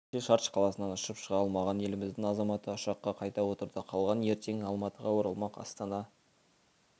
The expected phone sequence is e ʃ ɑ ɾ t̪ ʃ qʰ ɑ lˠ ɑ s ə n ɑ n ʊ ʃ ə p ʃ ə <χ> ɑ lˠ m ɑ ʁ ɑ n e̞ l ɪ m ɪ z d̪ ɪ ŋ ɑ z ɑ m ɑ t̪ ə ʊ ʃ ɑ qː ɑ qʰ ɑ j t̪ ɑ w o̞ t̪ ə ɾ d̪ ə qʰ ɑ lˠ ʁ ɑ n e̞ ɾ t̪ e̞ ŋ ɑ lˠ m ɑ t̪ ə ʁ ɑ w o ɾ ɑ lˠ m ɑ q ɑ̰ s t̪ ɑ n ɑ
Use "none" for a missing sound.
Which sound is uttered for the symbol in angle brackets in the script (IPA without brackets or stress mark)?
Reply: ʁ